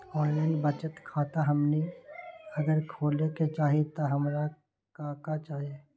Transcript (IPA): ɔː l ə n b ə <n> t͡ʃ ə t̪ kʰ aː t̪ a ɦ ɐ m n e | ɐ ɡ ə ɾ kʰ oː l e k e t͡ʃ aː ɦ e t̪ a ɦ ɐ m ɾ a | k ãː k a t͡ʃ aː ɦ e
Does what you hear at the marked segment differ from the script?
yes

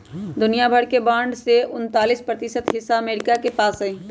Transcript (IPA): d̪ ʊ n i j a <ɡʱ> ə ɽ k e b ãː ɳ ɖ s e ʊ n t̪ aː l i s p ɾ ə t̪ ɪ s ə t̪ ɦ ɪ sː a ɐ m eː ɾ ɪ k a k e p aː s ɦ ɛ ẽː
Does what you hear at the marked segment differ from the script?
yes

